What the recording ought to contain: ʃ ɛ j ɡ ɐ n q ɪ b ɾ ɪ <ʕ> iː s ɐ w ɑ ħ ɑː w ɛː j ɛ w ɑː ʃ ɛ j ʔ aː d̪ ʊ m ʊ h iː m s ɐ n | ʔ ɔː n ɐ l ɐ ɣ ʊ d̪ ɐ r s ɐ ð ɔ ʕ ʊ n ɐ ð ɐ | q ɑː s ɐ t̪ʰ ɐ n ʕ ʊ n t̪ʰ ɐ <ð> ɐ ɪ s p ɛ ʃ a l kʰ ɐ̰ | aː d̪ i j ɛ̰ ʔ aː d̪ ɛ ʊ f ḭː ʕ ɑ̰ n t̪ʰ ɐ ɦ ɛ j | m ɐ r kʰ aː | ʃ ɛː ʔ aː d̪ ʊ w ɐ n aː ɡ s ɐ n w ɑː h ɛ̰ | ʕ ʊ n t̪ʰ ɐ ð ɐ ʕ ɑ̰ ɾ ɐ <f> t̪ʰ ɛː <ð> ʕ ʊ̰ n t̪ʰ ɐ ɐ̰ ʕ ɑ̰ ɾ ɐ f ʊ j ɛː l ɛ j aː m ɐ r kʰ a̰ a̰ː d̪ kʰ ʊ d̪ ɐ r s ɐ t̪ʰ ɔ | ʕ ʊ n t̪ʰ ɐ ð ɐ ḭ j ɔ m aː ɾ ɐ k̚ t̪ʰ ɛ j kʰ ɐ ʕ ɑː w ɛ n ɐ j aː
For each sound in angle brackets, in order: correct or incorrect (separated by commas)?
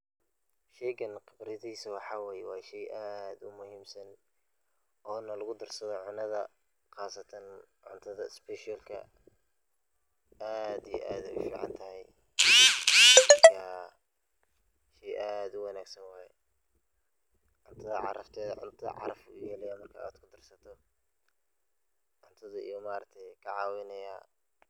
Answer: incorrect, correct, correct, correct